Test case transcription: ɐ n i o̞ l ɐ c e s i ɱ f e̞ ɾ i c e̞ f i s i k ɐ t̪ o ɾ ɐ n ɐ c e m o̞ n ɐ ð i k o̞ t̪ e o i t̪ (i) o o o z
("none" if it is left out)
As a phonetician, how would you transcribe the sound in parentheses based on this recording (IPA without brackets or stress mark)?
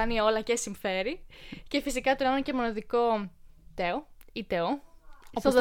e